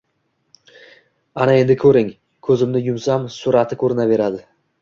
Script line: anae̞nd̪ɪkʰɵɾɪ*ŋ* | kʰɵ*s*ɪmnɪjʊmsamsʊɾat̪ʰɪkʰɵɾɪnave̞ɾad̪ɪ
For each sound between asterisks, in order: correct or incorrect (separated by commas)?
correct, incorrect